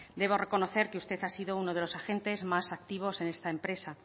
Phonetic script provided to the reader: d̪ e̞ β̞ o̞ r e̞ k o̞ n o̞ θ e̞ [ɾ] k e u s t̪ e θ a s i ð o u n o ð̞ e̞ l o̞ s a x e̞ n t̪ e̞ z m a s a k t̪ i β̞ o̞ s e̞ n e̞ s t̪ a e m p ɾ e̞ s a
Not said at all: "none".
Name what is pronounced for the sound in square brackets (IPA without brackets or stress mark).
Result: ɾ